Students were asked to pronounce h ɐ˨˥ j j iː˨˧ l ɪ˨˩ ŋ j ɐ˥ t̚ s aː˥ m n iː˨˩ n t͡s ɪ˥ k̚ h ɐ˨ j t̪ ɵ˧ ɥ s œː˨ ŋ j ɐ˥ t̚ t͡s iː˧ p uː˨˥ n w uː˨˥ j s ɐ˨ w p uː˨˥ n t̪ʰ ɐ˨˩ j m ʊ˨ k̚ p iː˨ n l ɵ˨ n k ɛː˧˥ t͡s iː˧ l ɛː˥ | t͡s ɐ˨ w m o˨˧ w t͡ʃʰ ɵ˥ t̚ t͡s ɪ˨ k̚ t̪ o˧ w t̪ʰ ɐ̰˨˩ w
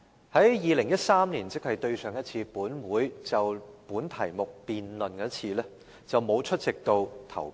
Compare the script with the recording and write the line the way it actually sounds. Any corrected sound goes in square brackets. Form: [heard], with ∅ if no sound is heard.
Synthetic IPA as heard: h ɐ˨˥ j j iː˨˧ l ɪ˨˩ ŋ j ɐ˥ t̚ s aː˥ m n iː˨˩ n t͡s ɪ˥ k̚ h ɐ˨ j t̪ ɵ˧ ɥ s œː˨ ŋ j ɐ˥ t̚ [t͡sʰ] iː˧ p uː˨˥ n w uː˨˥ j [t͡s] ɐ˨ w p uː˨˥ n t̪ʰ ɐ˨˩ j m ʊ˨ k̚ p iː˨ n l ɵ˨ n k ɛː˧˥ [t͡sʰ] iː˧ l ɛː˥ | t͡s ɐ˨ w m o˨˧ w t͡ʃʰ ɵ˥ t̚ t͡s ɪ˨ k̚ t̪ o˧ w t̪ʰ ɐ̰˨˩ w